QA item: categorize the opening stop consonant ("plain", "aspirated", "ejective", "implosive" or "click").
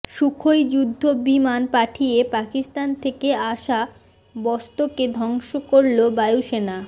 aspirated